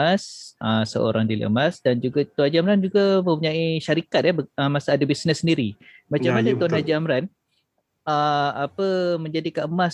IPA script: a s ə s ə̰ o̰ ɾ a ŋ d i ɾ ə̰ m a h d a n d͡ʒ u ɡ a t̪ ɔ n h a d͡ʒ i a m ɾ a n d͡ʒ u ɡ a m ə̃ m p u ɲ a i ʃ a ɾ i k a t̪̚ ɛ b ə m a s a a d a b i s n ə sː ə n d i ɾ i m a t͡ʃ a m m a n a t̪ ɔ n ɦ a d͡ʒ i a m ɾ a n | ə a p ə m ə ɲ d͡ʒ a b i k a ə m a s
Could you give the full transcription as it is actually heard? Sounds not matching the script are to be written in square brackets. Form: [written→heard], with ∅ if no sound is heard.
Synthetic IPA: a s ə s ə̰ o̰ ɾ a ŋ d i [ɾ→l] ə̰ m a [h→s] d a n d͡ʒ u ɡ a t̪ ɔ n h a d͡ʒ i a m ɾ a n d͡ʒ u ɡ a m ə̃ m p u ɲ a i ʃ a ɾ i k a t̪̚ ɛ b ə m a s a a d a b i s n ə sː ə n d i ɾ i m a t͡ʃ a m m a n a t̪ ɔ n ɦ a d͡ʒ i a m ɾ a n | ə a p ə m ə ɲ d͡ʒ a [b→d] i k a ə m a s